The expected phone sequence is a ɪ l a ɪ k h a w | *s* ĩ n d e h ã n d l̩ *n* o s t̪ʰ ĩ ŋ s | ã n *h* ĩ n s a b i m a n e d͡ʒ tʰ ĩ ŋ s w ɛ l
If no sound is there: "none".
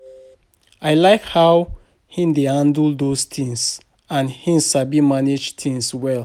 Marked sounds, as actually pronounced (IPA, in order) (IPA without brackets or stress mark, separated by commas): h, d, h